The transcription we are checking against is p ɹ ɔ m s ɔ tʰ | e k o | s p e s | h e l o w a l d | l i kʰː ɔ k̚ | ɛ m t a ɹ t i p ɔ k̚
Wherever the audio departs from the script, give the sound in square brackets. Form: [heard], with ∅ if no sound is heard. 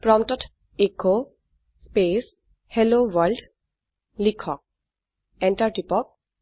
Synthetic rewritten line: p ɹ ɔ m [t] ɔ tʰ | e k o | s p e s | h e l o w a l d | l i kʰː ɔ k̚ | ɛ [n] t a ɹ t i p ɔ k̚